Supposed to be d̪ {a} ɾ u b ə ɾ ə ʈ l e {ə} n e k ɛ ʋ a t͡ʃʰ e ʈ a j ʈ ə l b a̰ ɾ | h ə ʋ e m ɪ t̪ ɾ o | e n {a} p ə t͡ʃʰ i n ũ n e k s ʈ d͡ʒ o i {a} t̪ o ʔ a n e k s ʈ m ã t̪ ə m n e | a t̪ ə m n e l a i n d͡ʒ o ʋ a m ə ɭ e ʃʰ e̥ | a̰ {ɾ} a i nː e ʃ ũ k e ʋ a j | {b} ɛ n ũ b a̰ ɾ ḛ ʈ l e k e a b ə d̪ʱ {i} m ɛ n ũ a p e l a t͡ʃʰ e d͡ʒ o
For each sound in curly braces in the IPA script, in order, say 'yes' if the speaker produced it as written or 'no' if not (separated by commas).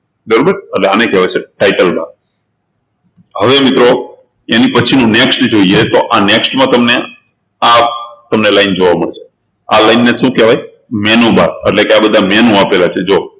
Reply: no, no, no, no, no, no, no